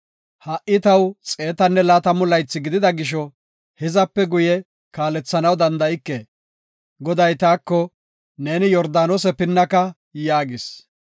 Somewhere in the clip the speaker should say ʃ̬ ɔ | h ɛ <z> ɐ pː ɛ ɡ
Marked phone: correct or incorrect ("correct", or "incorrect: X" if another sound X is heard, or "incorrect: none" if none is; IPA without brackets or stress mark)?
correct